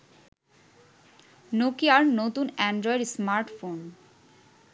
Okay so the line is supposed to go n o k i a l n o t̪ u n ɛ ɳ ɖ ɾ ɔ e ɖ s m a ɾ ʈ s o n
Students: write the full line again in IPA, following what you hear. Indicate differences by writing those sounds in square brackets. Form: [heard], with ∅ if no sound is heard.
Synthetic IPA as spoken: n o k i a [ɾ] n o t̪ u n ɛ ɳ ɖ ɾ ɔ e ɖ s m a ɾ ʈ [f] o n